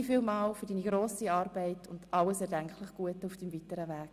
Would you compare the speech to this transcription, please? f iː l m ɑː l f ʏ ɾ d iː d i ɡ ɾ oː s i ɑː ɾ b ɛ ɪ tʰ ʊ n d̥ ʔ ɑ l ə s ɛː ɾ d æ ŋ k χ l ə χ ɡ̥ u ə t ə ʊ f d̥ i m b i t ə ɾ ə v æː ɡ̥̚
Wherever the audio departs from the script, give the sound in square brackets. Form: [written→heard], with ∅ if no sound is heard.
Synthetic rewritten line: f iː l m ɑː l f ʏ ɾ d iː [d→n] i ɡ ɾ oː s i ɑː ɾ b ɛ ɪ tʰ ʊ n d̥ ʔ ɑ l ə s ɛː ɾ d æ ŋ k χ l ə χ ɡ̥ u ə t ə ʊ f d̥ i m [b→v] i t ə ɾ ə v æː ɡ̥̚